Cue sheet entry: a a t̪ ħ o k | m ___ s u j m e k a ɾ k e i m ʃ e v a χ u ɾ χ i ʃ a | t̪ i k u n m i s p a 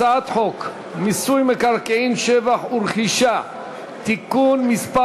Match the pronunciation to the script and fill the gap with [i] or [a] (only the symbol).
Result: i